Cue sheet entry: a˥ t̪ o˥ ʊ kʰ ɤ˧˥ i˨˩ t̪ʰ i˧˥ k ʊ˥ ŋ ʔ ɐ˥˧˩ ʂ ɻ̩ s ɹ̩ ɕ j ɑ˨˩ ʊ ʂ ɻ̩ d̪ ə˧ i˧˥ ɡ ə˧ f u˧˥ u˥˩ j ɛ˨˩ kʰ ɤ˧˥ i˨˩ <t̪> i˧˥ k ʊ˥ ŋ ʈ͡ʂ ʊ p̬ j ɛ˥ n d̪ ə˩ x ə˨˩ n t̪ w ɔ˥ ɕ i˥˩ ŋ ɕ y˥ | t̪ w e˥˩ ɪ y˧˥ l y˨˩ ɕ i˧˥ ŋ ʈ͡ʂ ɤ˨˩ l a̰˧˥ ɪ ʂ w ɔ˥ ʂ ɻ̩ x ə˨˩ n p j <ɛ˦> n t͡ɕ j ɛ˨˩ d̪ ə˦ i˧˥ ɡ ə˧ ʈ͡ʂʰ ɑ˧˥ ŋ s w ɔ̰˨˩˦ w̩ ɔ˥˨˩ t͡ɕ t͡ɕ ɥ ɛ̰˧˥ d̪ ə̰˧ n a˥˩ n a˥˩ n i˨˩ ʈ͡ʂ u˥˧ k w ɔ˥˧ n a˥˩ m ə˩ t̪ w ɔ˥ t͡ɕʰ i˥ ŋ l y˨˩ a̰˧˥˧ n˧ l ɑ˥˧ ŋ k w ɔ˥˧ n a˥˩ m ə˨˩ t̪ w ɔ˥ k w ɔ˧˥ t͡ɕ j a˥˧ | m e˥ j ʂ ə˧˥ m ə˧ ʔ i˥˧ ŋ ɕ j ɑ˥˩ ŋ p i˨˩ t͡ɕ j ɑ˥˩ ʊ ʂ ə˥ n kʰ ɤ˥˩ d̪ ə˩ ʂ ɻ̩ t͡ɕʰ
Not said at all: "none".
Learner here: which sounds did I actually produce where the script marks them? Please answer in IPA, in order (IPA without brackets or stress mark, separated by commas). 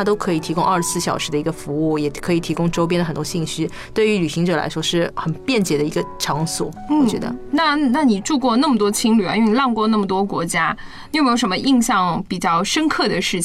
t̪ʰ, ɛ˥˩